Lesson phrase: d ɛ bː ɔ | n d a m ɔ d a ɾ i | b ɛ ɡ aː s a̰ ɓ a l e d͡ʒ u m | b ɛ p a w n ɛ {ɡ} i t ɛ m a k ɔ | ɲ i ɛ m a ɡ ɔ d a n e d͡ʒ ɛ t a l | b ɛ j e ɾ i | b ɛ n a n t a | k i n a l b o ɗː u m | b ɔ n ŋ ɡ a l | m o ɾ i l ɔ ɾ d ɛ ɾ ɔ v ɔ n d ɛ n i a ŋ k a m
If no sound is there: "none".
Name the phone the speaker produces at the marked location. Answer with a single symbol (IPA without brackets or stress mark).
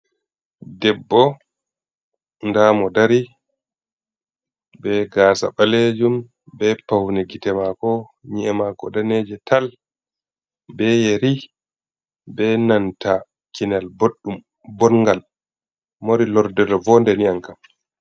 ɡ